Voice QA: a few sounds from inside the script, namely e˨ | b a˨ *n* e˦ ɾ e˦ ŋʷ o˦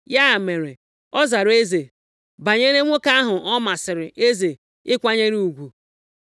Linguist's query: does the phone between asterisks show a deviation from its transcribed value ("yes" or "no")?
yes